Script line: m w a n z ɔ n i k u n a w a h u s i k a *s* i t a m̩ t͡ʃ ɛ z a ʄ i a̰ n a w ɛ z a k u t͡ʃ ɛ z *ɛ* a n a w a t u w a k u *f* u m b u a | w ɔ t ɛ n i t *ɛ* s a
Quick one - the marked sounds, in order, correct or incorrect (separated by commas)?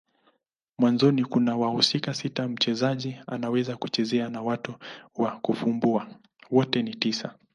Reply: correct, correct, correct, incorrect